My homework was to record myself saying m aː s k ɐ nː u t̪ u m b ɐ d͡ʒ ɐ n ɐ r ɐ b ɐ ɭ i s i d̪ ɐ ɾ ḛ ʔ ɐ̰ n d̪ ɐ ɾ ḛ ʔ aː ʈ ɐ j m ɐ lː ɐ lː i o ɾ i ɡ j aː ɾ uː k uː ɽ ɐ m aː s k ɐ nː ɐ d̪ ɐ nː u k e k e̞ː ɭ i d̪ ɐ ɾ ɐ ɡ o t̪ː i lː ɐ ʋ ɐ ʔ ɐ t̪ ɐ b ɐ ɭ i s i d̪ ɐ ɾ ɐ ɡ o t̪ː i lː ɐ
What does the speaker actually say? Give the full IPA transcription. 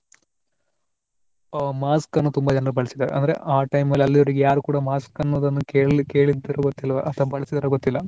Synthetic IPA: m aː s k ɐ nː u t̪ u m b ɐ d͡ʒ ɐ n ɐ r ɐ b ɐ ɭ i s i d̪ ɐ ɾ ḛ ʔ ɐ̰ n d̪ ɐ ɾ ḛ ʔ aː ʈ ɐ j m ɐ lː ɐ lː i o ɾ i ɡ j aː ɾ u k uː ɽ ɐ m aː s k ɐ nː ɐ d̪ ɐ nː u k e k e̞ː ɭ i d̪ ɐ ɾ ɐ ɡ o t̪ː i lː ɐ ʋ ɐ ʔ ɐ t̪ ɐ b ɐ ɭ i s i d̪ ɐ ɾ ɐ ɡ o t̪ː i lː ɐ